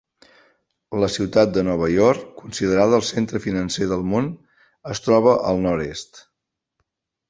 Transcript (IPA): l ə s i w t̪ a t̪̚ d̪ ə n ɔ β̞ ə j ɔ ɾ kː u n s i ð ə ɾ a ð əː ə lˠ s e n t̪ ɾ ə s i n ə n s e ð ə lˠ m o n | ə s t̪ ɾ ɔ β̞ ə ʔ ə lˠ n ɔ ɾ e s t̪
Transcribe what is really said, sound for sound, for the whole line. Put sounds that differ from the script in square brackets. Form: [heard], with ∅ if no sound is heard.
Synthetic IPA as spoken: l ə s i w t̪ a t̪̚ d̪ ə n ɔ β̞ ə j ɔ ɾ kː u n s i ð ə ɾ a ð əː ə lˠ s e n t̪ ɾ ə [f] i n ə n s e ð ə lˠ m o n | ə s t̪ ɾ ɔ β̞ ə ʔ ə lˠ n ɔ ɾ e s t̪